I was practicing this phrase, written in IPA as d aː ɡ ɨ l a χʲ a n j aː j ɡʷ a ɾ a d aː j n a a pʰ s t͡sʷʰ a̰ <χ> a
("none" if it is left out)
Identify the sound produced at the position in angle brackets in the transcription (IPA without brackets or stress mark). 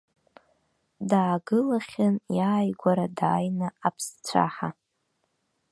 ħ